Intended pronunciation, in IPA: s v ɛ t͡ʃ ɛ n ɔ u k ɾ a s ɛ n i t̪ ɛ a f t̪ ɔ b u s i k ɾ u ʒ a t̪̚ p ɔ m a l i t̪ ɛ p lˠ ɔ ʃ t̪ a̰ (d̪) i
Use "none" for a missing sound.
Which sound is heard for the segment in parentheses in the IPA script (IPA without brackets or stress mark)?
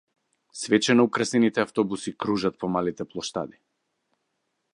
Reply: d̪